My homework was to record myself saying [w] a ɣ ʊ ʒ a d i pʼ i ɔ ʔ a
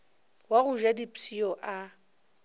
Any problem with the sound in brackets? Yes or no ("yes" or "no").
no